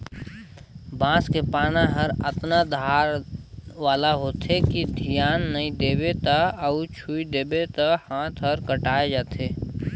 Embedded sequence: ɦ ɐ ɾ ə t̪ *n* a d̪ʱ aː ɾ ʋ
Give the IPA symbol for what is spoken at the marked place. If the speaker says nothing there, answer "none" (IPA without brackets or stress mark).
n